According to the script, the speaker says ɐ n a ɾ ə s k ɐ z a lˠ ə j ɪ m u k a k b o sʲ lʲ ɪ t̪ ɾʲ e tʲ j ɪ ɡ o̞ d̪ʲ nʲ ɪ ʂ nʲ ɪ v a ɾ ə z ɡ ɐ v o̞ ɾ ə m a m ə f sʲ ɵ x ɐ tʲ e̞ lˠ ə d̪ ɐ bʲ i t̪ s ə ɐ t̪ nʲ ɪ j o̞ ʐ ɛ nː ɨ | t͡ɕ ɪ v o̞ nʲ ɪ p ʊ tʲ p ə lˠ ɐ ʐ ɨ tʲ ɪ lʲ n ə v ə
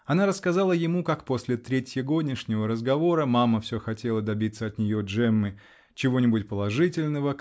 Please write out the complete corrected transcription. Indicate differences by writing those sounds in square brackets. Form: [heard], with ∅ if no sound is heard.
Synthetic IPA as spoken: ɐ n a ɾ ə s k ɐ z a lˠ ə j ɪ m u k a k [p] o sʲ lʲ ɪ t̪ ɾʲ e tʲ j ɪ ɡ o̞ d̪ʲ nʲ ɪ ʂ nʲ ɪ v [ə] ɾ ə z ɡ ɐ v o̞ ɾ ə m a m ə f sʲ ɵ x ɐ tʲ e̞ lˠ ə d̪ ɐ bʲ i t̪ s ə ɐ t̪ nʲ ɪ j o̞ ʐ ɛ [mː] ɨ | t͡ɕ ɪ v o̞ nʲ ɪ [b] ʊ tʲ p ə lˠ ɐ ʐ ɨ tʲ ɪ lʲ n ə v ə